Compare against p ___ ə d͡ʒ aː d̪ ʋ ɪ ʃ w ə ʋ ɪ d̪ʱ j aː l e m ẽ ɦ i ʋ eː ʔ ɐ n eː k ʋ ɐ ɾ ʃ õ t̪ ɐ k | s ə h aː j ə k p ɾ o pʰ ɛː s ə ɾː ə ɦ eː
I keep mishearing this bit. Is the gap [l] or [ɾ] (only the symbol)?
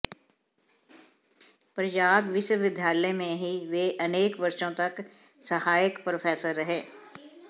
ɾ